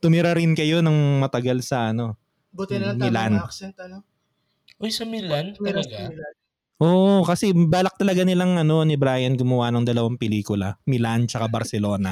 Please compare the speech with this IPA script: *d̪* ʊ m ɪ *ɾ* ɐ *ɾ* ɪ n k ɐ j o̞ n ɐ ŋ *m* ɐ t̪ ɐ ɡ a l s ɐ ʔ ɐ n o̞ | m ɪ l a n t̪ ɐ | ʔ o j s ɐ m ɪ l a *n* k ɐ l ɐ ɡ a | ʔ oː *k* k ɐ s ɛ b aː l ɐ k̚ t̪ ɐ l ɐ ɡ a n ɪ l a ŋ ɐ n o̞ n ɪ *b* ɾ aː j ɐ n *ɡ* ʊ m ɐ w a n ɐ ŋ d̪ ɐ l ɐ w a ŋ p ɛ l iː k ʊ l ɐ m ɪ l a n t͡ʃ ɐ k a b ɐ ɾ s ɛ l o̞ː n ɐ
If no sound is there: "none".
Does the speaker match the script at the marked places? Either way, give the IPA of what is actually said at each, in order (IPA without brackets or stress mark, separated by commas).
t̪, ɾ, ɾ, m, n, ʔ, b, ɡ